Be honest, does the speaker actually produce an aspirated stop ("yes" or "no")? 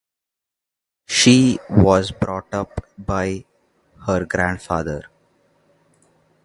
no